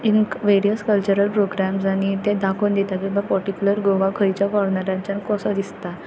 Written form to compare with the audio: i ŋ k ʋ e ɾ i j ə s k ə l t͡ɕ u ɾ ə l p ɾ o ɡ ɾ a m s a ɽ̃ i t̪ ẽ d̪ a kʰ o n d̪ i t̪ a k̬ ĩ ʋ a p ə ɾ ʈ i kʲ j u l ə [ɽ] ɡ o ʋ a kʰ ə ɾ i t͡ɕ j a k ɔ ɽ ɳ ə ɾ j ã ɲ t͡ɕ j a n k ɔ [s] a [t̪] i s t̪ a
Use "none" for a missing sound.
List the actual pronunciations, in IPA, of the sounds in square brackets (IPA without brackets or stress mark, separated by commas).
ɾ, s, d̪